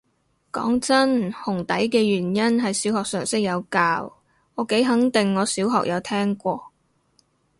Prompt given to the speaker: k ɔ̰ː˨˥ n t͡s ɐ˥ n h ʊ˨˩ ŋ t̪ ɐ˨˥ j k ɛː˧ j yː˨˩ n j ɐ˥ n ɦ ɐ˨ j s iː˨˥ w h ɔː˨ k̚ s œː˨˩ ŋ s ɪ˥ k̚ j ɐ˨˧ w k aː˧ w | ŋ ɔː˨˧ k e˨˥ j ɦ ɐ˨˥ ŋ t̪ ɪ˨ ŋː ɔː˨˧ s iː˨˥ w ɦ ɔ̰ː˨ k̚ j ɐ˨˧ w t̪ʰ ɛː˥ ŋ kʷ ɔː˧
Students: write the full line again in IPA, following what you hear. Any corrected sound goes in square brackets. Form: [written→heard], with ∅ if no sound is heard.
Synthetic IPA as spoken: k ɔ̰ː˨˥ [n→ŋ] t͡s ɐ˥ n h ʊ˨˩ ŋ t̪ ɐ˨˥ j k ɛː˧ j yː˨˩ n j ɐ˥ n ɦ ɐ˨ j s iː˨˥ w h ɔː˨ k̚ s œː˨˩ ŋ s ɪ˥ k̚ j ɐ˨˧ w k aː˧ w | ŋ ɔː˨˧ k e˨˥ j ɦ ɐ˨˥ ŋ t̪ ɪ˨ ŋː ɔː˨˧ s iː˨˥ w ɦ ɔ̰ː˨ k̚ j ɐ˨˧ w t̪ʰ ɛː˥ ŋ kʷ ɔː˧